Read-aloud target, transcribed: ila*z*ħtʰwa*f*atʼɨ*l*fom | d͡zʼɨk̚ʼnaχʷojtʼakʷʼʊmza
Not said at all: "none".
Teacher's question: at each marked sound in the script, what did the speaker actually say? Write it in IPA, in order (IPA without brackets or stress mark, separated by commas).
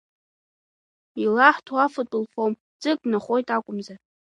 none, f, l